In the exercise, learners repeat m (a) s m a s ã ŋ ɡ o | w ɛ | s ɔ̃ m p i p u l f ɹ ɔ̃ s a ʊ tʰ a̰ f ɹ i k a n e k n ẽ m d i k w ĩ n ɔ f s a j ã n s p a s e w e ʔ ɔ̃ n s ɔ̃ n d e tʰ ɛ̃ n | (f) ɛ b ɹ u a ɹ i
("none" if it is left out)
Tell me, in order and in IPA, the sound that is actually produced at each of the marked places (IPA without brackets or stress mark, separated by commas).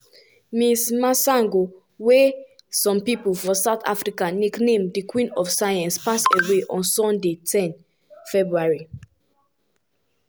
i, f